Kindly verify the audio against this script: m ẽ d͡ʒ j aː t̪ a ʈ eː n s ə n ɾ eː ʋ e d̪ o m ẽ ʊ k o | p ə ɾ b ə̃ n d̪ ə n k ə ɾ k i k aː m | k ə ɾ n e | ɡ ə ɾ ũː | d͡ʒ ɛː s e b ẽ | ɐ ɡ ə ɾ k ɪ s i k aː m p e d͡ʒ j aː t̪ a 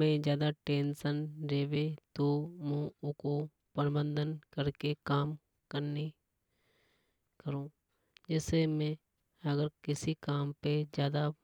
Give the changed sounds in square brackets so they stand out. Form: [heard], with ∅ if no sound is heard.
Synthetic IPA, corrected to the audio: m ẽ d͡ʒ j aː [d̪] a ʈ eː n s ə n ɾ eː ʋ e [t̪] o m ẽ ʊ k o | p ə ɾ b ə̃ n d̪ ə n k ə ɾ k [e] k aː m | k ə ɾ n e | [k] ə ɾ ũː | d͡ʒ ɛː s e [m] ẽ | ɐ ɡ ə ɾ k ɪ s i k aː m p e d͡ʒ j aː [d̪] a

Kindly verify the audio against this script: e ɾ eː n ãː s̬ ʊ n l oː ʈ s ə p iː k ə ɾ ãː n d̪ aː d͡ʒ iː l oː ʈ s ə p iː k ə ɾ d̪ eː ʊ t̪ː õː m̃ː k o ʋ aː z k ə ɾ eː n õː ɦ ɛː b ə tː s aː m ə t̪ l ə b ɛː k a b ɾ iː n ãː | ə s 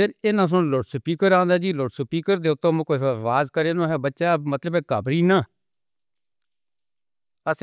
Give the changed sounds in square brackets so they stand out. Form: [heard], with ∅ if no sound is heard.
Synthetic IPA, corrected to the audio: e ɾ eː n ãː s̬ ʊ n l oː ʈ s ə p iː k ə ɾ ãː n d̪ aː d͡ʒ iː l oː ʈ s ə p iː k ə ɾ d̪ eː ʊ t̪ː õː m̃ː k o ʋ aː z k ə ɾ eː n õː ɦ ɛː b ə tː [ʃ] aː m ə t̪ l ə b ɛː k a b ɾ iː n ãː | ə s

